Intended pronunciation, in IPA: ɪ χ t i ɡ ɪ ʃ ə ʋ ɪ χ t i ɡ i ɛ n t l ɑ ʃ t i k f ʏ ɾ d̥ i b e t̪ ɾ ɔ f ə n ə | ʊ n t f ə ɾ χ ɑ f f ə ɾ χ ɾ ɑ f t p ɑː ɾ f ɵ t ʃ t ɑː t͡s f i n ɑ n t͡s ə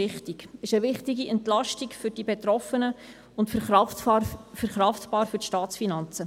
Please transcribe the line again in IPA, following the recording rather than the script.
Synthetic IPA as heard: ɪ χ t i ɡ ɪ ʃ ə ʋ ɪ χ t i ɡ i ɛ n t l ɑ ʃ t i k f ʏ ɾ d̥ i b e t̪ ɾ ɔ f ə n ə | ʊ n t f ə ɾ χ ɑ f f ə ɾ χ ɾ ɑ f t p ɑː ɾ f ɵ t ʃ t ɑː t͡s f i n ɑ n t͡s ə